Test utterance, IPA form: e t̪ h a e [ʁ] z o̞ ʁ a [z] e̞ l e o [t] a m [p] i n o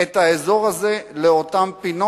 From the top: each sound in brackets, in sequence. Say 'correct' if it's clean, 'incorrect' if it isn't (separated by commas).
incorrect, correct, correct, correct